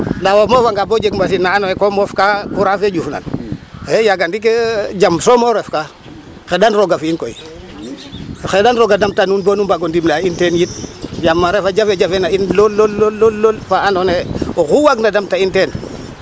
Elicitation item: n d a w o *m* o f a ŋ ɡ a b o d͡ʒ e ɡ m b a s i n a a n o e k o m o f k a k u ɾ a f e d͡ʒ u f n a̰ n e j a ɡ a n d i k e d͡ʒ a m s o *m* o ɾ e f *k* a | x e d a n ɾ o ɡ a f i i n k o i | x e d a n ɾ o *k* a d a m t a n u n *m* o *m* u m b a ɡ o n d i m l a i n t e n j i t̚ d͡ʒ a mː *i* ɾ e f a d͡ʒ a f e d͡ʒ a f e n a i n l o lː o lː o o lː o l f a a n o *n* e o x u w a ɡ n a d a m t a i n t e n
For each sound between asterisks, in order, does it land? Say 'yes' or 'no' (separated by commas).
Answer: yes, yes, yes, no, no, no, no, yes